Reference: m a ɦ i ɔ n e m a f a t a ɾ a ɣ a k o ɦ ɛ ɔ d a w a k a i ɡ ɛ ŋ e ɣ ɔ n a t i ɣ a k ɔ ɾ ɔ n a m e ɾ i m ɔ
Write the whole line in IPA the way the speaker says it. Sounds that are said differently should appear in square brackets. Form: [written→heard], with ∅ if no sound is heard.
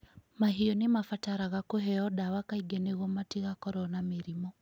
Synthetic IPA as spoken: m a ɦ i ɔ n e m a f a t a ɾ a ɣ a k o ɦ ɛ ɔ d a w a k a i ɡ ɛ [ŋ→n] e ɣ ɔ [n→m] a t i ɣ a k ɔ ɾ ɔ n a m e ɾ i m ɔ